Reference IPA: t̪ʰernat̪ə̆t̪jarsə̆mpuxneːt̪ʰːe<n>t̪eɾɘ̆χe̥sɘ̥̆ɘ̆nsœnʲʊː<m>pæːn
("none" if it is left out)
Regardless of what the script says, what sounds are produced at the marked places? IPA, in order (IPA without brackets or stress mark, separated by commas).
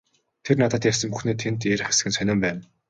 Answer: n, m